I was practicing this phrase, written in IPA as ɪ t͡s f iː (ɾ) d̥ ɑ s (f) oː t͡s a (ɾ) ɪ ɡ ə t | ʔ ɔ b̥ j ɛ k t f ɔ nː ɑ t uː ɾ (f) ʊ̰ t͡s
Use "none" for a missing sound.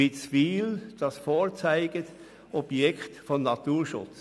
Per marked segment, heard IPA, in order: l, f, none, ʃ

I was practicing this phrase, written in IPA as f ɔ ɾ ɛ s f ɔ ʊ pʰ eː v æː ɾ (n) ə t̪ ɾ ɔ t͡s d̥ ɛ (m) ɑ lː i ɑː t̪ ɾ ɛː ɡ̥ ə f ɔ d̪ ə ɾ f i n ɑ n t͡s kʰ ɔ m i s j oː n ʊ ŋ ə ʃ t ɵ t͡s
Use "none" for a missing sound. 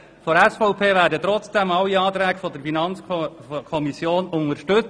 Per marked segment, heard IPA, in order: d, m

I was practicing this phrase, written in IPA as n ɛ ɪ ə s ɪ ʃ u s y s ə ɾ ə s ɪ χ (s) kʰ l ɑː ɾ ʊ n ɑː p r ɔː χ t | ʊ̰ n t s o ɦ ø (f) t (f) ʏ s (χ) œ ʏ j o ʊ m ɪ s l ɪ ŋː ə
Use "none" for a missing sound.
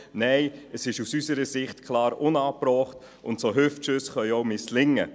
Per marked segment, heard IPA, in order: t, f, ʃ, χ

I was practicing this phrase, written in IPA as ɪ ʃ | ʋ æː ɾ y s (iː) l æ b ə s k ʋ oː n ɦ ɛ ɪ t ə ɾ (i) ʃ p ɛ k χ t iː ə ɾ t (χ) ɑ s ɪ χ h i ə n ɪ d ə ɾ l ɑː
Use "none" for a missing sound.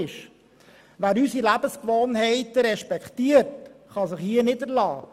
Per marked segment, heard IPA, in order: i, ɛ, χ

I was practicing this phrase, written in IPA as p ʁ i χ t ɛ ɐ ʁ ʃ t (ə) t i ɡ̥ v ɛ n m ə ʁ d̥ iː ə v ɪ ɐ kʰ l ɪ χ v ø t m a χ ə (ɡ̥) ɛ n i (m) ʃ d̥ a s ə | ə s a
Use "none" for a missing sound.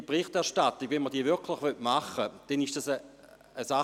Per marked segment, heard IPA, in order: a, d̥, none

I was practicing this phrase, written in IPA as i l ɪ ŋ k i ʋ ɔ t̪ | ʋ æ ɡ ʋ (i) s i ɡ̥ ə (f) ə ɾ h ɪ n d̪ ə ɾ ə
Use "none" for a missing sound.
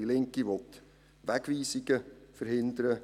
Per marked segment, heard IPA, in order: iː, f

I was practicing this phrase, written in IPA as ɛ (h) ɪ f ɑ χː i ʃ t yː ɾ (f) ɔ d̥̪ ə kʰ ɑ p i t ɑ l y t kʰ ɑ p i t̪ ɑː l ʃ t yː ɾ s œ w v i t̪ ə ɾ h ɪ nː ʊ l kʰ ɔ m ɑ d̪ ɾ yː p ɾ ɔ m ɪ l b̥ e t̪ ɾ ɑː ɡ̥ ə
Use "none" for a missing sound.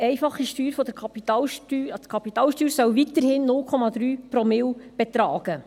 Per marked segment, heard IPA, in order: none, f

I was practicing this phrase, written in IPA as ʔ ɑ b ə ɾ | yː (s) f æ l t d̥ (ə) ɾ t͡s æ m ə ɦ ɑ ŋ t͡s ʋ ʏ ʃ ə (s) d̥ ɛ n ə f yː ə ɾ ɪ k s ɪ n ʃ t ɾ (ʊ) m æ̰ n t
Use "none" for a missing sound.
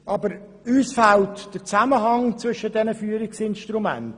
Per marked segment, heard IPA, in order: s, ə, none, u

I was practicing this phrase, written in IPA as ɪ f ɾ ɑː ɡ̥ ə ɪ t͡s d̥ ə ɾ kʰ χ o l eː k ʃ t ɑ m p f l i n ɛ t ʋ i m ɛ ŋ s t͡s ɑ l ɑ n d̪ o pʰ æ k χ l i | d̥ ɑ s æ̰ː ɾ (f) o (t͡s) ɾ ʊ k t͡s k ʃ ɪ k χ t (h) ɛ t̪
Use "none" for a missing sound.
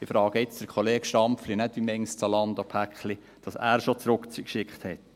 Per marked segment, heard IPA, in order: ʃ, t͡s, h

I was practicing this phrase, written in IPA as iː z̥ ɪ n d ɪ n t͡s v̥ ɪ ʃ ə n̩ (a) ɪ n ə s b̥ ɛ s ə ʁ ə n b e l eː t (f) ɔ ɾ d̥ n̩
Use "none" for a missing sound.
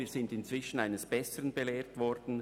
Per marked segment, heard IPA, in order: a, v

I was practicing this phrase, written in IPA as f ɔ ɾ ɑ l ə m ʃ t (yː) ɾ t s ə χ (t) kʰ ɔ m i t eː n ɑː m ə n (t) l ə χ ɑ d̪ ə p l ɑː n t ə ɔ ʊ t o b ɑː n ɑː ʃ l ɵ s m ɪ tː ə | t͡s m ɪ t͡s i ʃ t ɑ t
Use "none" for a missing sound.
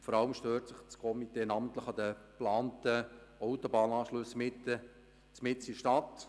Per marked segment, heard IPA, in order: øː, t͡s, t

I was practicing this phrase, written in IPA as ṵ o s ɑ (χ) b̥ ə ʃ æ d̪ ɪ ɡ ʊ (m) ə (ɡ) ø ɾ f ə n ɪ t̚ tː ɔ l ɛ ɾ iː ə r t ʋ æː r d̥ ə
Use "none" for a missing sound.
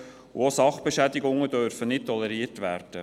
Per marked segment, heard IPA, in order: χ, ŋ, d

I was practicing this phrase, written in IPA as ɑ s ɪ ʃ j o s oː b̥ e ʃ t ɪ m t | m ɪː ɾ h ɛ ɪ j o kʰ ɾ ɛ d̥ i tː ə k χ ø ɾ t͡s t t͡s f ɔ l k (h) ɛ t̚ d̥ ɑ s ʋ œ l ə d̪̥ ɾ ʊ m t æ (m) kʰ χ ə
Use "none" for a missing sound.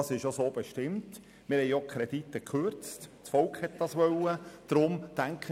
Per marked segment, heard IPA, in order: h, ŋ

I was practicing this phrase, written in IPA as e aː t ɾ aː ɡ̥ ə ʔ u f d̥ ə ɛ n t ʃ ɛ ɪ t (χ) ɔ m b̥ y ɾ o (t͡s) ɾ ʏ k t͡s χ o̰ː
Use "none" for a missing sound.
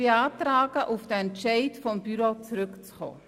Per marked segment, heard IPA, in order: f, t͡s

